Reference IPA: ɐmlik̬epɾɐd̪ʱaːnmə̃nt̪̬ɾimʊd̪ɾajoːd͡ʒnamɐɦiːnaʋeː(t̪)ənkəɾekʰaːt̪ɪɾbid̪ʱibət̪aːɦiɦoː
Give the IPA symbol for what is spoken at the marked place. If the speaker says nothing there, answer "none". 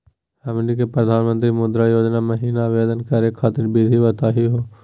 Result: d̪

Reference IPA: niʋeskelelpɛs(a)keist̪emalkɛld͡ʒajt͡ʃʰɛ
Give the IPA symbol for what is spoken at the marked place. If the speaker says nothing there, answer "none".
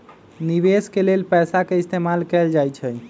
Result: a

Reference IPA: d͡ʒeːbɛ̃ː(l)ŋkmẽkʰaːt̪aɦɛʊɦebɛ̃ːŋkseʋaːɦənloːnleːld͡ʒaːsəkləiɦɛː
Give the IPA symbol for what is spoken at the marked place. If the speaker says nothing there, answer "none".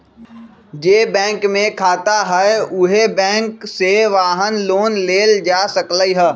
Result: none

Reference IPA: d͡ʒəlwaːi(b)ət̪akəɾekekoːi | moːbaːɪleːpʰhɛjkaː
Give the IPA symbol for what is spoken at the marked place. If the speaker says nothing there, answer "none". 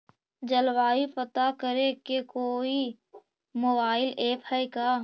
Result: p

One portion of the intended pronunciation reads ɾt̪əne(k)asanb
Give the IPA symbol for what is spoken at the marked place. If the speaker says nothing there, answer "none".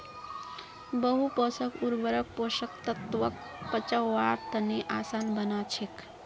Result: ʔ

